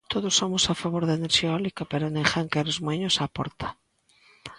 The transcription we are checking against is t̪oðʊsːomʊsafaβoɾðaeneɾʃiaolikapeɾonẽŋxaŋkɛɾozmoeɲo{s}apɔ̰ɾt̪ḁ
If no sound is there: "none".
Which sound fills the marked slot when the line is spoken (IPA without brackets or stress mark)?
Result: s